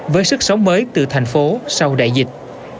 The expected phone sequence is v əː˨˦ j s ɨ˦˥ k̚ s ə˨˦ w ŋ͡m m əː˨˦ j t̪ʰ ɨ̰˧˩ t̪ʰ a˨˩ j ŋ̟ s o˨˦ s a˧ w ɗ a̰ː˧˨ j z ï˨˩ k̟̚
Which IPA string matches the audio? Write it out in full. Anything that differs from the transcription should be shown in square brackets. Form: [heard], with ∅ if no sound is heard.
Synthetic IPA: v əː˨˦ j s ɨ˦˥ k̚ s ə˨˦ w ŋ͡m m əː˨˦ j [t̪] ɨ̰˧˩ t̪ʰ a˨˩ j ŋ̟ [f] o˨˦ s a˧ w ɗ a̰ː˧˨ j z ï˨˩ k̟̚